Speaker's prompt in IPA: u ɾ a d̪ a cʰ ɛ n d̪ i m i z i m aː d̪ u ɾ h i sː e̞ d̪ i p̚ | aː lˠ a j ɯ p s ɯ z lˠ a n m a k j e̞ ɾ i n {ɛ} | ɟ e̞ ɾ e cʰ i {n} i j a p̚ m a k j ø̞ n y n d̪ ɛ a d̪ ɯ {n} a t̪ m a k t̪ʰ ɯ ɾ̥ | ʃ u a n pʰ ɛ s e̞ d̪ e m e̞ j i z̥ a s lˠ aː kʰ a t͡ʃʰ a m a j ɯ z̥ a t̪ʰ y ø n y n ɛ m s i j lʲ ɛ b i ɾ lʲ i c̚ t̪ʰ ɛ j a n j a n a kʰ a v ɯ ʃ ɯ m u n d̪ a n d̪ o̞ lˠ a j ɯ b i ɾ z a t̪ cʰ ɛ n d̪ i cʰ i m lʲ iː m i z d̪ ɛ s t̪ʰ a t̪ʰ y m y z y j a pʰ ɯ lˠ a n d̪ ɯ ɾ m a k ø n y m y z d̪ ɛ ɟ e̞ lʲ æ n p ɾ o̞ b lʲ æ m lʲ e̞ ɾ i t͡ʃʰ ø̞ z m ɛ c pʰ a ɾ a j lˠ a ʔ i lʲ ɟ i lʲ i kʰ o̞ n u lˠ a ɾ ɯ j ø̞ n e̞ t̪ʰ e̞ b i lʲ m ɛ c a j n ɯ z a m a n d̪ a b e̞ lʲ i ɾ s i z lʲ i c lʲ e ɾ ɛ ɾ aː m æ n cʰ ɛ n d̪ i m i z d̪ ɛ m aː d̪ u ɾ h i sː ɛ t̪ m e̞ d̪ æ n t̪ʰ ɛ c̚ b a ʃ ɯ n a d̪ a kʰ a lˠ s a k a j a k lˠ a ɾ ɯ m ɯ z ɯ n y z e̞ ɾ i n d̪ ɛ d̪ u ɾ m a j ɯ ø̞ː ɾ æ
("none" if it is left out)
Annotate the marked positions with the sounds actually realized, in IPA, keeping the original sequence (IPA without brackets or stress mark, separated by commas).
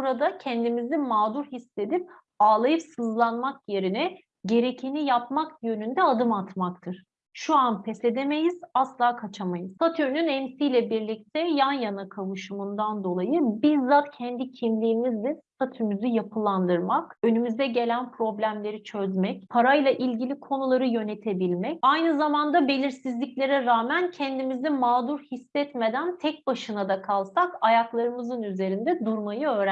ɛ, n, m